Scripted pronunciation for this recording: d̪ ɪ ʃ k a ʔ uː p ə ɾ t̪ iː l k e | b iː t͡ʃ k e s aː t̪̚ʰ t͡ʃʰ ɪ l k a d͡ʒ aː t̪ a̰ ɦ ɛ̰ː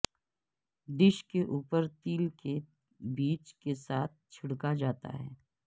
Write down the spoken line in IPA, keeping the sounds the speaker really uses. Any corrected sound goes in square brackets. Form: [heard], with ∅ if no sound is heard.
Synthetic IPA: d̪ ɪ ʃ k [e] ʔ uː p ə ɾ t̪ iː l k e | b iː t͡ʃ k e s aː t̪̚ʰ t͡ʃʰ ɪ [ɽ] k a d͡ʒ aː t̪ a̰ ɦ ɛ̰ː